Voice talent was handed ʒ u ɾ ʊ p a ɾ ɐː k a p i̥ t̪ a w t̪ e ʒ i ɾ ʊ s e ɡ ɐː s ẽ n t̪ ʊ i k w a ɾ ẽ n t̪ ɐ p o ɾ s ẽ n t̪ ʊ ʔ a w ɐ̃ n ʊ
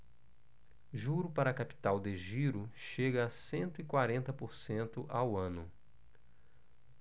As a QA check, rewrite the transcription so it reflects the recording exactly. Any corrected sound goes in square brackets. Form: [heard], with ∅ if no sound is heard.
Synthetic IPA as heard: ʒ u ɾ ʊ p a ɾ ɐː k a p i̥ t̪ a w [d̪] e ʒ i ɾ ʊ [ʃ] e ɡ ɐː s ẽ n t̪ ʊ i k w a ɾ ẽ n t̪ ɐ p o ɾ s ẽ n t̪ ʊ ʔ a w ɐ̃ n ʊ

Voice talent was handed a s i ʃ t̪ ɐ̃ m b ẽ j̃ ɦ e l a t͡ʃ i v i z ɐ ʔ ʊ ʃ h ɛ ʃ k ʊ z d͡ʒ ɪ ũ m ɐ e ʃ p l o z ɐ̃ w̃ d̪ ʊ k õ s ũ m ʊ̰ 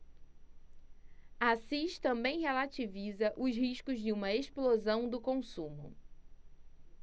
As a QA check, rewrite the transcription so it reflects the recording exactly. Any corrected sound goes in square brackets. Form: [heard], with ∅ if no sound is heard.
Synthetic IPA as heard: a s i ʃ t̪ ɐ̃ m b ẽ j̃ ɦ e l a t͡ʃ i v i z ɐ ʔ ʊ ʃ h [i] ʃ k ʊ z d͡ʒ ɪ ũ m ɐ e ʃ p l o z ɐ̃ w̃ d̪ ʊ k õ s ũ m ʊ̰

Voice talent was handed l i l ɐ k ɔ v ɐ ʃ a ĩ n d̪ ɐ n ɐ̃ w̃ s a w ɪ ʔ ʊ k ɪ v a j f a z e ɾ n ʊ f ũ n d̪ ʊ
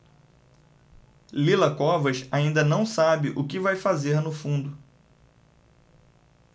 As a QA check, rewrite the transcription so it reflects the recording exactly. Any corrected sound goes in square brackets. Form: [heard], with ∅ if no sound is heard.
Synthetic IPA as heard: l i l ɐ k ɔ v ɐ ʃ a ĩ n d̪ ɐ n ɐ̃ w̃ s a [b] ɪ ʔ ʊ k ɪ v a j f a z e ɾ n ʊ f ũ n d̪ ʊ

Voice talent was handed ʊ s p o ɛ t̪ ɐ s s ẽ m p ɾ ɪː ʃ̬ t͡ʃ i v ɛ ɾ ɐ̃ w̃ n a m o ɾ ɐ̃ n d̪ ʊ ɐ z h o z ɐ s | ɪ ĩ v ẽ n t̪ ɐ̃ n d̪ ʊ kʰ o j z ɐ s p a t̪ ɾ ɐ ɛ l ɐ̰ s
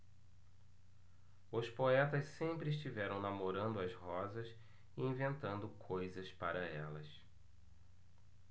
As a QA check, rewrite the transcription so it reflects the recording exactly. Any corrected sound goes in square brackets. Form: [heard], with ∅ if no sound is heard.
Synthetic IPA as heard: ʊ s p o ɛ t̪ ɐ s s ẽ m p ɾ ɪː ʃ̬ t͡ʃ i v ɛ ɾ ɐ̃ w̃ n a m o ɾ ɐ̃ n d̪ ʊ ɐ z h [ɔ] z ɐ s | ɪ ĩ v ẽ n t̪ ɐ̃ n d̪ ʊ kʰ o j z ɐ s p a [∅] ɾ ɐ ɛ l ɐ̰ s

